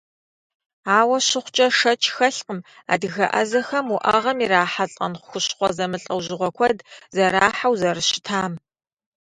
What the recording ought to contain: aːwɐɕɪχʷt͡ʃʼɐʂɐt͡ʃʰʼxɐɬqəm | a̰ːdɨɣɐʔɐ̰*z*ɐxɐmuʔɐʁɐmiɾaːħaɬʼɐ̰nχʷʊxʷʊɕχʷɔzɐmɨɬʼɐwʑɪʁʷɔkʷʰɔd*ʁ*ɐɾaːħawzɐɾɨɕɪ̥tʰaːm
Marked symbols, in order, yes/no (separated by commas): yes, no